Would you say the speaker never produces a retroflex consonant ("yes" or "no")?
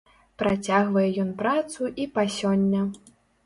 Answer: yes